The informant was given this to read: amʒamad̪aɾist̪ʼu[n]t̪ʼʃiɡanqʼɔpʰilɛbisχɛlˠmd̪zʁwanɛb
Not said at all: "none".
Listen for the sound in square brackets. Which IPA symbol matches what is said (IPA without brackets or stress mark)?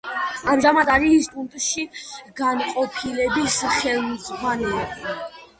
n